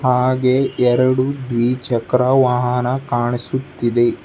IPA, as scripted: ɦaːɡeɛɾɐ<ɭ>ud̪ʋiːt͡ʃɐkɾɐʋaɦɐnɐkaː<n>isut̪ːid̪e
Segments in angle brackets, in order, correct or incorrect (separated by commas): incorrect, incorrect